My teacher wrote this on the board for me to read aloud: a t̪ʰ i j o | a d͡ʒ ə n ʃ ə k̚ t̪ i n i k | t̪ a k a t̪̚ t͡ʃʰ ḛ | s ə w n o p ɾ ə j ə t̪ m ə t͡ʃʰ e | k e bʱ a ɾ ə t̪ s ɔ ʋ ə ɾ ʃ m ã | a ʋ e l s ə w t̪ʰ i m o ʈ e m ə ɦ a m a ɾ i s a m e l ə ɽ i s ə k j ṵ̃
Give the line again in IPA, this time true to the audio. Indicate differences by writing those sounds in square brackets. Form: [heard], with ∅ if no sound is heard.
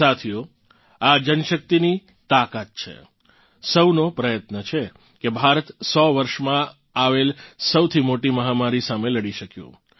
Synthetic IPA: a t̪ʰ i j o | a d͡ʒ ə n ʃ ə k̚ t̪ i n i [∅] | t̪ a k a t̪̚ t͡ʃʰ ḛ | s ə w n o p ɾ ə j ə t̪ [n] ə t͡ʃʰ e | k e bʱ a ɾ ə t̪ s ɔ ʋ ə ɾ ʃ m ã | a ʋ e l s ə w t̪ʰ i m o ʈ [i] m ə ɦ a m a ɾ i s a m e l ə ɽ i [ʃ] ə k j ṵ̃

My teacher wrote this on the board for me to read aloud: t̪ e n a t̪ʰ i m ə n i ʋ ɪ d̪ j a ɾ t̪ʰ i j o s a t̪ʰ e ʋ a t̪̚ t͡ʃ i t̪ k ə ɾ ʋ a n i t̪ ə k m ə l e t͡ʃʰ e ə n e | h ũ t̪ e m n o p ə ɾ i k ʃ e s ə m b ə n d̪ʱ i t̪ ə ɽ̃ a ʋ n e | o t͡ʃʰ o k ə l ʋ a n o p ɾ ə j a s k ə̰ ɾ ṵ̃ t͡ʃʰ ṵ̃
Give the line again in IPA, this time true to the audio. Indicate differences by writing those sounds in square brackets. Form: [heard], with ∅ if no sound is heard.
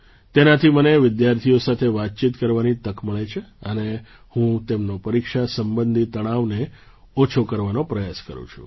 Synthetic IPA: t̪ e n a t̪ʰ i m ə n [e] ʋ ɪ d̪ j a ɾ t̪ʰ i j o s a t̪ʰ e ʋ a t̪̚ t͡ʃ i t̪ k ə ɾ ʋ a n i t̪ ə k m ə [ɭ] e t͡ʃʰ e ə n e | h ũ t̪ e m n o p ə ɾ i k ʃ [a] s ə m b ə n d̪ʱ i t̪ ə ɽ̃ a ʋ n e | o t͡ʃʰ o k ə [ɾ] ʋ a n o p ɾ ə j a s k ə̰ ɾ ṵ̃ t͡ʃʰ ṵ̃

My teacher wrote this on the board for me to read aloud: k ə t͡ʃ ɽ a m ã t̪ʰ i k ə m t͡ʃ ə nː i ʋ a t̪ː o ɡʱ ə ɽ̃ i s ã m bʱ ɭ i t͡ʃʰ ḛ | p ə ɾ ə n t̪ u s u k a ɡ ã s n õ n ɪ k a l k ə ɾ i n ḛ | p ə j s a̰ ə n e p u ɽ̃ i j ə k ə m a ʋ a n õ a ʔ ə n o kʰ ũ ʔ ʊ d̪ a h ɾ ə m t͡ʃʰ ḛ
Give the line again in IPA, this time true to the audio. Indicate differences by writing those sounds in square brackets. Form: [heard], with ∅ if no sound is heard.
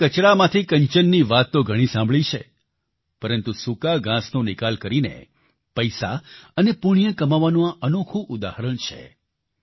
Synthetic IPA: k ə t͡ʃ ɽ a m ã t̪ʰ i k ə [ɲ] t͡ʃ ə nː i ʋ a t̪ː o ɡʱ ə ɽ̃ i s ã m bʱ ɭ i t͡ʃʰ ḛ | p ə ɾ ə n t̪ u s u k a ɡ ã s n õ n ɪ k a l k ə ɾ i n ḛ | p ə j s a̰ ə n e p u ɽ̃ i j ə k ə m a ʋ a n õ a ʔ ə n o kʰ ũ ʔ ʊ d̪ a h ɾ ə [ɳ] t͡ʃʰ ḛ

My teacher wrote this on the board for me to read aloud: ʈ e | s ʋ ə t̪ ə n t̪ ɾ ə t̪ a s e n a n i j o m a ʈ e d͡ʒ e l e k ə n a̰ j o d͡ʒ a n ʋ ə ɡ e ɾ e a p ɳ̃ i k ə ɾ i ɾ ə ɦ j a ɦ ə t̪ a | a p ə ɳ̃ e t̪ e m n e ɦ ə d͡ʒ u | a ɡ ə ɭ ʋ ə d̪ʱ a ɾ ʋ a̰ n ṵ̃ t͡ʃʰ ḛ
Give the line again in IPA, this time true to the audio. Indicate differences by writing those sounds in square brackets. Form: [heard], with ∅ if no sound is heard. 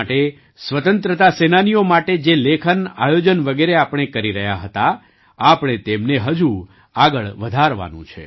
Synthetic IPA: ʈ e | s ʋ ə t̪ ə n t̪ ɾ ə t̪ a s e n a n i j o m a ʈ e d͡ʒ e l e [kʰ] ə n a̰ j o d͡ʒ [ə] n ʋ ə ɡ e ɾ e a p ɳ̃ [e] k ə ɾ i ɾ ə ɦ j a ɦ ə t̪ a | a p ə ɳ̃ e t̪ e m n e ɦ ə d͡ʒ u | a ɡ ə ɭ ʋ ə d̪ʱ a ɾ ʋ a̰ n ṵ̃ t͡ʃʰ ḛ

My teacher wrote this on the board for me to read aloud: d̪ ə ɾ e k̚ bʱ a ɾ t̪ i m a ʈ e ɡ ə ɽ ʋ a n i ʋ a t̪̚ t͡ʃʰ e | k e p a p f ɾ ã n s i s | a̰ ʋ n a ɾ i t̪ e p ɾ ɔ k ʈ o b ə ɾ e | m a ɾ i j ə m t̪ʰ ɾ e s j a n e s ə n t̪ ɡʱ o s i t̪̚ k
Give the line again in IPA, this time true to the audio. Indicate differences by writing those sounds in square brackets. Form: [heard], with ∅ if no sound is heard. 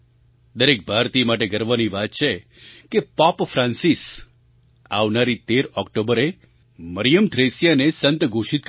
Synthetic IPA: d̪ ə ɾ e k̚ bʱ a ɾ t̪ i m a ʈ e ɡ ə [ɾ] ʋ a n i ʋ a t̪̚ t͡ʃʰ e | k e p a p f ɾ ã n s i s | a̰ ʋ n a ɾ i t̪ e [∅] ɾ ɔ k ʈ o b ə ɾ e | m [ə] ɾ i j ə m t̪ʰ ɾ e s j a n e s ə n t̪ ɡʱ o [ʃ] i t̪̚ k

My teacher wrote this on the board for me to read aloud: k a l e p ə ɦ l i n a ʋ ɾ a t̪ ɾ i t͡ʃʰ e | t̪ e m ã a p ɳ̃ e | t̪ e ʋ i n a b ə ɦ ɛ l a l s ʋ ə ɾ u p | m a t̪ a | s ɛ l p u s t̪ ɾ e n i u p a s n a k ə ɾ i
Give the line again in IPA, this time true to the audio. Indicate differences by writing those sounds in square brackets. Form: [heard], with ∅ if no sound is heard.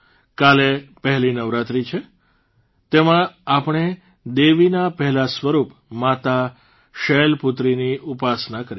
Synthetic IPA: k a l e p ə ɦ l i n [ə] ʋ ɾ a t̪ ɾ i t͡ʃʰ e | t̪ e m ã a p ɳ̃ e | [d̪] e ʋ i n a [p] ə ɦ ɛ l a [∅] s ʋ ə ɾ u p | m a t̪ a | [ʃ] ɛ l p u [∅] t̪ ɾ [i] n i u p a s n a k ə ɾ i

